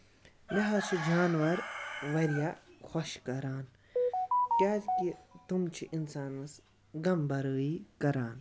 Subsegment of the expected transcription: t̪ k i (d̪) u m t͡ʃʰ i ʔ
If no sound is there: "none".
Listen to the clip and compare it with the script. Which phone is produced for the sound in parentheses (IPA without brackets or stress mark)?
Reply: t̪